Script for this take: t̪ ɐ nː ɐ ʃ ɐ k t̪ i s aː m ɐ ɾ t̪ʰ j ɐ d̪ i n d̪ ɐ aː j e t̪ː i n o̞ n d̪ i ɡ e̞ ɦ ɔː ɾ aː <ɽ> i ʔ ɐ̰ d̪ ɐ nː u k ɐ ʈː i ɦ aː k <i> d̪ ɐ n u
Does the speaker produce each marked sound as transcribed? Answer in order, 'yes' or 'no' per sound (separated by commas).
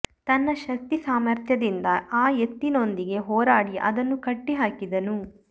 yes, yes